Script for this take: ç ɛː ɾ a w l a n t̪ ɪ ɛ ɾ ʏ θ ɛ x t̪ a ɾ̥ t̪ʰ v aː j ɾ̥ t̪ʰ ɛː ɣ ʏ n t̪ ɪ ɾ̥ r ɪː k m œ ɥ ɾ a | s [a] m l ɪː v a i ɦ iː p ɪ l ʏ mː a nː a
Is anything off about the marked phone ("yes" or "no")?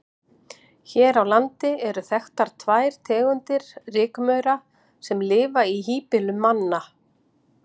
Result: yes